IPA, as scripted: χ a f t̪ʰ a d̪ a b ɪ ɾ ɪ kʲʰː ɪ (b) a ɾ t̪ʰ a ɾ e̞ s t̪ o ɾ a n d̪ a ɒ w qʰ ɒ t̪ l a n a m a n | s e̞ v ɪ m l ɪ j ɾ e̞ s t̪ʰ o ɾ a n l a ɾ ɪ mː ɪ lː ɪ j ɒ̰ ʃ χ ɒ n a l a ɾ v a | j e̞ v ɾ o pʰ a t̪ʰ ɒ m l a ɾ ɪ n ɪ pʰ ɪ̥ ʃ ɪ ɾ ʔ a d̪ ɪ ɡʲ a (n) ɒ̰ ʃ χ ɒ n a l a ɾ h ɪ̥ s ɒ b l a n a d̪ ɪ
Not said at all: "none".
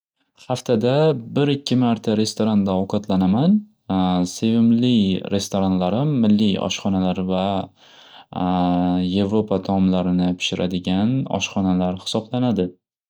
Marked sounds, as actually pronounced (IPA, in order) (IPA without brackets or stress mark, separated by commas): m, n